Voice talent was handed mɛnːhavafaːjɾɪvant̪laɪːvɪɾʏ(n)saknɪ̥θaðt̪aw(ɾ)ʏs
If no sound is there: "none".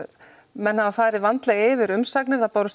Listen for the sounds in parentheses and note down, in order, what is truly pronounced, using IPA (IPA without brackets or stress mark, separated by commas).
m, ɾ